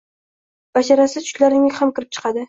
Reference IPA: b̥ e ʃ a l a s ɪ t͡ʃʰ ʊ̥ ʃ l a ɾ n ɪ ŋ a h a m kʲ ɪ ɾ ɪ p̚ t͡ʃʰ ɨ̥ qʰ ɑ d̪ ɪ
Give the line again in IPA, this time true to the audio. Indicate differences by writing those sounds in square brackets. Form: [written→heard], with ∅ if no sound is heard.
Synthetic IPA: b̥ [e→a] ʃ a [l→ɾ] a s ɪ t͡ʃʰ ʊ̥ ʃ l a ɾ n ɪ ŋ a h a m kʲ ɪ ɾ ɪ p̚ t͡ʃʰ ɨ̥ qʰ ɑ d̪ ɪ

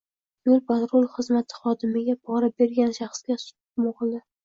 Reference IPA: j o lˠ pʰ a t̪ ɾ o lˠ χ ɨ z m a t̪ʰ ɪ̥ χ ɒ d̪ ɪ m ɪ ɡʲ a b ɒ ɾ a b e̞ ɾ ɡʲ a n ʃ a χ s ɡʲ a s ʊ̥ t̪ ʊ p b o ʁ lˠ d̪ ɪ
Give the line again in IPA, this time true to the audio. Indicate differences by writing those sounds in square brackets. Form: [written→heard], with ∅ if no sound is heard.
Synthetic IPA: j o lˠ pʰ a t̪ ɾ o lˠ χ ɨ z m a t̪ʰ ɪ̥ χ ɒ d̪ ɪ m ɪ ɡʲ a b ɒ ɾ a b e̞ ɾ ɡʲ a n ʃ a χ s ɡʲ a s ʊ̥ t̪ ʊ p [b→m] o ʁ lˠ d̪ ɪ

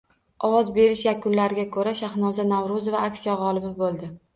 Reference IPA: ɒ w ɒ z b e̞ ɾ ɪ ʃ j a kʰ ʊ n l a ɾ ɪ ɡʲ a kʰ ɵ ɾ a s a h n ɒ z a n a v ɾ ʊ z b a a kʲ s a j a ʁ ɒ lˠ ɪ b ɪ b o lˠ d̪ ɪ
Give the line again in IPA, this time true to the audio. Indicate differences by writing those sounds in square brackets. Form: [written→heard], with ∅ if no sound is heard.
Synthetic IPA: ɒ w ɒ z b e̞ ɾ ɪ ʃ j a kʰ ʊ n l a ɾ ɪ ɡʲ a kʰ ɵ ɾ a [s→ʃ] a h n ɒ z a n a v ɾ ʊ z [b→v] a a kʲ s [a→i] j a ʁ ɒ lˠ ɪ b ɪ b o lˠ d̪ ɪ

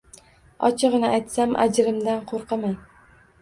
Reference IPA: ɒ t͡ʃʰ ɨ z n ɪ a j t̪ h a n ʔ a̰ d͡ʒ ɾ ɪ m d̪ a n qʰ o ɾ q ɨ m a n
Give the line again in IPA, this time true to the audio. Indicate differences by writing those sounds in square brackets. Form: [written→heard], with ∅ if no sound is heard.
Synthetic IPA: ɒ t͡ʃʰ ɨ [z→ʁ] n ɪ a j t̪ [h→s] a [n→m] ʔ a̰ d͡ʒ ɾ ɪ m d̪ a n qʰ o ɾ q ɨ m a n

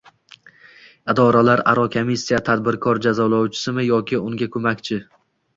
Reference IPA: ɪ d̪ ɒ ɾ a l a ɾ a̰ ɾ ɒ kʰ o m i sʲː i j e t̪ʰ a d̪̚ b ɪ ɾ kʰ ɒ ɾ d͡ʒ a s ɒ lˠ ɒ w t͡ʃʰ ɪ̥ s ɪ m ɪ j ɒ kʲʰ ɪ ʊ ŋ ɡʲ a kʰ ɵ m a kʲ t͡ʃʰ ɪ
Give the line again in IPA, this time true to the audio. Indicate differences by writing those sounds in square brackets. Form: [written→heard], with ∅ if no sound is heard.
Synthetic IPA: ɪ d̪ ɒ ɾ a l a ɾ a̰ ɾ ɒ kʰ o m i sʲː i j [e→a] t̪ʰ a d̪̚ b ɪ ɾ kʰ ɒ ɾ d͡ʒ a [s→z] ɒ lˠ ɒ w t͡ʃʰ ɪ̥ s ɪ m ɪ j ɒ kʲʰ ɪ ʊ ŋ ɡʲ a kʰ ɵ m a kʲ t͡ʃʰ ɪ

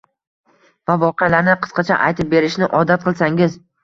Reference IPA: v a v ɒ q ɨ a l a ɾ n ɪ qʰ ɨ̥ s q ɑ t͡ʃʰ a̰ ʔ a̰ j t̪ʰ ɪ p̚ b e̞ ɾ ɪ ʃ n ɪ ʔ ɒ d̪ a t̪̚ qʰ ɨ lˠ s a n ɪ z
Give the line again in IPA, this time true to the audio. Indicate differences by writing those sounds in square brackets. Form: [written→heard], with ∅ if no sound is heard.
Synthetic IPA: v a v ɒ q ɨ a l a ɾ n ɪ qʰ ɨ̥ s q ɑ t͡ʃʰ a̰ ʔ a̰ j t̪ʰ ɪ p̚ b e̞ ɾ ɪ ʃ n ɪ ʔ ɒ d̪ a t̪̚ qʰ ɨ lˠ s a [n→ŋ] ɪ z

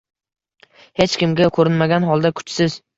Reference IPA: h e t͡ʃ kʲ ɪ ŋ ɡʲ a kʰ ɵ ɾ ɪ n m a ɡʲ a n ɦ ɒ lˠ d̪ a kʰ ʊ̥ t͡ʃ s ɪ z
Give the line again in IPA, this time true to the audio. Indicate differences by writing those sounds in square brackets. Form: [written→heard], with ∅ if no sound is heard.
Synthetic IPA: h e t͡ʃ kʲ ɪ [ŋ→m] ɡʲ a kʰ ɵ ɾ ɪ n m a ɡʲ a n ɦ ɒ lˠ d̪ a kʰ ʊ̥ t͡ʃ s ɪ z

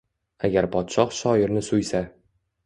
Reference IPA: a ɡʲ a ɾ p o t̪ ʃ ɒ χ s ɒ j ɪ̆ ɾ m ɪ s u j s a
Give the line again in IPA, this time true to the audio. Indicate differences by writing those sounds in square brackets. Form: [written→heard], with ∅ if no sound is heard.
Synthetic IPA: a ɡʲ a ɾ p [o→ɒ] t̪ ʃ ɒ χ [s→ʃ] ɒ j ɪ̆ ɾ [m→n] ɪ s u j s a

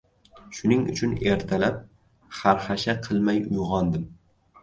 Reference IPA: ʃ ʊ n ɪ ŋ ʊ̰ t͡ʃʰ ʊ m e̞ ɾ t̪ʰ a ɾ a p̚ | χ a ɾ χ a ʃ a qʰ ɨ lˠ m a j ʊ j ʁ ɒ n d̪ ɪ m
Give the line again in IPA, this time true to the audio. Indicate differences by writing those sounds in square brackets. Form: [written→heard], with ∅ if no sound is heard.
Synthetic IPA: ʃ ʊ n ɪ ŋ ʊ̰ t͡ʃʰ ʊ [m→n] e̞ ɾ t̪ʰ a [ɾ→l] a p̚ | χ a ɾ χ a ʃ a qʰ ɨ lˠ m a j ʊ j ʁ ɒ n d̪ ɪ m

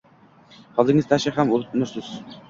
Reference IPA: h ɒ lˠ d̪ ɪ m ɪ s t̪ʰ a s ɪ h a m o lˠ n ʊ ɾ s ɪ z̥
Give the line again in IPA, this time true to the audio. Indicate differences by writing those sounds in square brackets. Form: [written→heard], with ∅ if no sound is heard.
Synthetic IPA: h ɒ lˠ d̪ ɪ [m→ŋ] ɪ [s→z] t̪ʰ a [s→ʃ] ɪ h a m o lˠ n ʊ ɾ s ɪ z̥

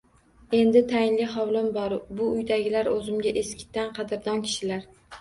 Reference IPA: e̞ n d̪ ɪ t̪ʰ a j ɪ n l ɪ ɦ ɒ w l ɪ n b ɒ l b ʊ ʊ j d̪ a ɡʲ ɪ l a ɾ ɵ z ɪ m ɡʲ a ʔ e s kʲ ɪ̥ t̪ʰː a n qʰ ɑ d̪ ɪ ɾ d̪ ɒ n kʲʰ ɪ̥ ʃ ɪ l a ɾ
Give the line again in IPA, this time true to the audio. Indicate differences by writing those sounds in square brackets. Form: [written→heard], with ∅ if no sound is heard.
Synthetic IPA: e̞ n d̪ ɪ t̪ʰ a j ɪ n l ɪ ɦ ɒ w l ɪ [n→m] b ɒ [l→ɾ] b ʊ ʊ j d̪ a ɡʲ ɪ l a ɾ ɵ z ɪ m ɡʲ a ʔ e s kʲ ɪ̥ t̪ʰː a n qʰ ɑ d̪ ɪ ɾ d̪ ɒ n kʲʰ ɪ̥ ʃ ɪ l a ɾ

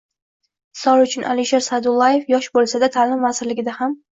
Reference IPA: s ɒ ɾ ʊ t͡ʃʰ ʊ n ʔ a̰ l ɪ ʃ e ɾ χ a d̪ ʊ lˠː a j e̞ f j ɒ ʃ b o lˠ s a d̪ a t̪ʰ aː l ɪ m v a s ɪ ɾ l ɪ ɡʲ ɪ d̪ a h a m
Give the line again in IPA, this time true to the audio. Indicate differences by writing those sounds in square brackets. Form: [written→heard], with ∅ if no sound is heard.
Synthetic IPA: s ɒ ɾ ʊ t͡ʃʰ ʊ n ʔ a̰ l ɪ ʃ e ɾ [χ→s] a d̪ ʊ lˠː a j e̞ f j ɒ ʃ b o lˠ s a d̪ a t̪ʰ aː l ɪ m v a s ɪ ɾ l ɪ ɡʲ ɪ d̪ a h a m

